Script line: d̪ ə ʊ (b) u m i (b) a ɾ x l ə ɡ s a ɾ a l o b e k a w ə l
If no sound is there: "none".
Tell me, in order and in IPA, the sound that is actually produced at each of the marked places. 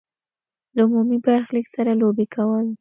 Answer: m, b

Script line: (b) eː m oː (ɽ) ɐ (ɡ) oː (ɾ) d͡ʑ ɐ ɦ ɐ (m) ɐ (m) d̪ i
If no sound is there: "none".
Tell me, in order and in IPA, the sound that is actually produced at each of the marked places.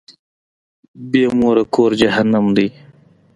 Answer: b, ɾ, k, ɾ, n, m

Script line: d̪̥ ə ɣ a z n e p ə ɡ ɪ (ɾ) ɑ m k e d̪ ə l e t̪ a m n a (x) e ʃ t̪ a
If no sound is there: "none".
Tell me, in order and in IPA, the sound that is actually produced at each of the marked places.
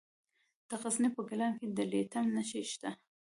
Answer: l, ʃ

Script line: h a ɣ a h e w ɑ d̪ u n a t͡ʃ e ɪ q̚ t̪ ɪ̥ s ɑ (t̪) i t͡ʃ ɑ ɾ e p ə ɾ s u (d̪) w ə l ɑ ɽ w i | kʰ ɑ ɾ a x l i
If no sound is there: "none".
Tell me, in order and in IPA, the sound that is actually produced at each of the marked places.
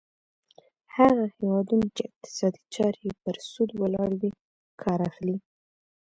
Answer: d̪, d̪

